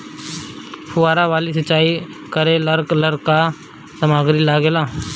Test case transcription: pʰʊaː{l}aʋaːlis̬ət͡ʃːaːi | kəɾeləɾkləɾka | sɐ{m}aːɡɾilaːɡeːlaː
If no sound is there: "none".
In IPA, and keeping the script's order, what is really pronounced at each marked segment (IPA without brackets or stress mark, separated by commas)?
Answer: ɾ, m